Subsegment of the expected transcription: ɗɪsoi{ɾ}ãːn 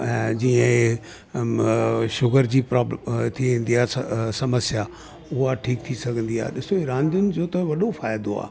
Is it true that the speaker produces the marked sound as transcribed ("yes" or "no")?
yes